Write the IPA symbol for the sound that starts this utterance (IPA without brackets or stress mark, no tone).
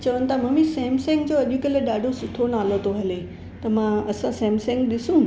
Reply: t͡ɕ